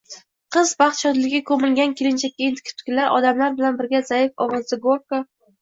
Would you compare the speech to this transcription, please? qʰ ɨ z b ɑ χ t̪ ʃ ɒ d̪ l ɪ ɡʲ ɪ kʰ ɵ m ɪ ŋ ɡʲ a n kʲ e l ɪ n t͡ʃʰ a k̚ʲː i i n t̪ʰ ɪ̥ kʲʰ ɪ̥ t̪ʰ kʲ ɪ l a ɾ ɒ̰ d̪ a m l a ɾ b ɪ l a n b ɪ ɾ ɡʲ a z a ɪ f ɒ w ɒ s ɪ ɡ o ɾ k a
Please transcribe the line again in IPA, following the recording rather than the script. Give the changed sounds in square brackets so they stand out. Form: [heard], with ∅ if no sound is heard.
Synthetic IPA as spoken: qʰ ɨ z b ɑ χ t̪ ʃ ɒ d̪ l ɪ ɡʲ ɪ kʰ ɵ m ɪ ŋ ɡʲ a n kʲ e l ɪ n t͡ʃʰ a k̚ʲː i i n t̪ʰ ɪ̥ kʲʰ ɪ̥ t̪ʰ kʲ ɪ l a ɾ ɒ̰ d̪ a m l a ɾ b ɪ l a n b ɪ ɾ ɡʲ a z a ɪ f ɒ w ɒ [z] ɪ ɡ o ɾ k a